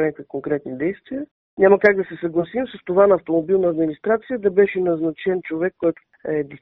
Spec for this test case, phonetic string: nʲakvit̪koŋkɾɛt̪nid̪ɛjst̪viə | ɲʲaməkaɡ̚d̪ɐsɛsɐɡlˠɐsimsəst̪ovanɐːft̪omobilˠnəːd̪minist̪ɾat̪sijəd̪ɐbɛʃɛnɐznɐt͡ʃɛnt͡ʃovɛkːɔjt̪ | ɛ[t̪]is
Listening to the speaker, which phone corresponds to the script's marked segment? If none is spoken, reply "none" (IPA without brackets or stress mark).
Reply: d̪